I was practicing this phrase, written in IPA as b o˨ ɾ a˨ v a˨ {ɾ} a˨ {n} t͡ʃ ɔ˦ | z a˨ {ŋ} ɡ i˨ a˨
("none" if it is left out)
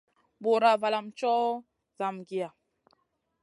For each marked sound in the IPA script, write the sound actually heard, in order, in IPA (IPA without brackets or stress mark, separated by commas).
l, m, m